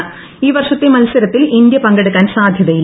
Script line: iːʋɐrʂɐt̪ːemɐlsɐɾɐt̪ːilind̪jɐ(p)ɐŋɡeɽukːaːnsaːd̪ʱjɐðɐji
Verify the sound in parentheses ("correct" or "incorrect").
correct